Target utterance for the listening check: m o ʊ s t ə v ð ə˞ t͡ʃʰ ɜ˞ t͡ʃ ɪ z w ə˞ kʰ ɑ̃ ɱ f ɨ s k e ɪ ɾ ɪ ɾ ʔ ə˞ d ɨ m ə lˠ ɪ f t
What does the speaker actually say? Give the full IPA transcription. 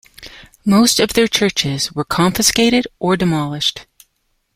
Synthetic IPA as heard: m o ʊ s t ʌ v ð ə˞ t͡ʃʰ ɜ˞ t͡ʃ ɪ z w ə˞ kʰ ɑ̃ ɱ f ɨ s k e ɪ ɾ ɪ ɾ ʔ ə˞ d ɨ m ɑ lˠ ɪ ʃ t